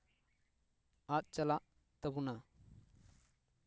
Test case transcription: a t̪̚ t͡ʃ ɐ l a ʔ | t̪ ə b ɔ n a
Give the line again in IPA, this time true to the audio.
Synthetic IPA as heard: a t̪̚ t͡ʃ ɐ l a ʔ | t̪ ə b u n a